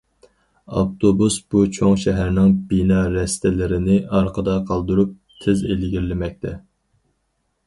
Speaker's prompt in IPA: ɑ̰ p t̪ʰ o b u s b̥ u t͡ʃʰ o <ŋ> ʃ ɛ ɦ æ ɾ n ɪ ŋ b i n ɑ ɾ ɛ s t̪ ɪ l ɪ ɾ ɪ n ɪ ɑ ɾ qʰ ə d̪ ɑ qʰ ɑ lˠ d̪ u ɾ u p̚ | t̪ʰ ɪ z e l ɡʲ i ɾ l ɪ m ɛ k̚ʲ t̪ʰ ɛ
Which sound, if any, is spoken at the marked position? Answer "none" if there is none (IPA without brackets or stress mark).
ŋ